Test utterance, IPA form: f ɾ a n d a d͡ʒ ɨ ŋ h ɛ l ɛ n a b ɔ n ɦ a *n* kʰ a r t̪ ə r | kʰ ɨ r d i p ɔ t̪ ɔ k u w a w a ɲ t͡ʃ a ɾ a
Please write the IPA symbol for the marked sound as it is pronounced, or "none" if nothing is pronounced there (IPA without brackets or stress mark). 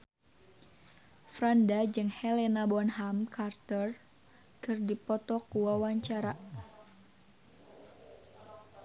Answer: m